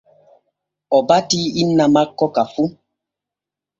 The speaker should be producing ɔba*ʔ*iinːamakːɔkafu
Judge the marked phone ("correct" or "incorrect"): incorrect